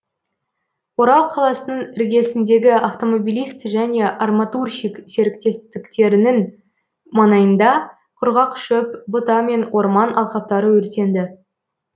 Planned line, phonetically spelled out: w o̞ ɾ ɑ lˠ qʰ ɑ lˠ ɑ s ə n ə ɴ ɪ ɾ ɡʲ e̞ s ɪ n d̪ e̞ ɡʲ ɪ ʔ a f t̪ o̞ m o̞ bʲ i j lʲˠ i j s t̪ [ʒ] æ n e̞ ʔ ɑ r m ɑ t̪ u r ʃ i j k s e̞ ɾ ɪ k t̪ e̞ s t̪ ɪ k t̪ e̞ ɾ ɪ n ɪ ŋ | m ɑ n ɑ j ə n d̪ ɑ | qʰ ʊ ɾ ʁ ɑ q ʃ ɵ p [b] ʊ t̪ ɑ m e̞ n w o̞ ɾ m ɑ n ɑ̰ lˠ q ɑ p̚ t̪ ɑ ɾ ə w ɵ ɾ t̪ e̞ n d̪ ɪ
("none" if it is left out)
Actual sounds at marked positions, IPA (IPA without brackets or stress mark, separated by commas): ʒ, b